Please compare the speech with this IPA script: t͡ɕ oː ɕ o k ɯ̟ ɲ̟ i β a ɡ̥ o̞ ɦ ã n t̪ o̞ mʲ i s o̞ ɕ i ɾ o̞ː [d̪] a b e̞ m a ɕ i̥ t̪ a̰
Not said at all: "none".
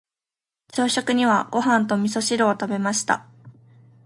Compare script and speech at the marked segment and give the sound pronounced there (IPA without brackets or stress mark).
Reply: t̪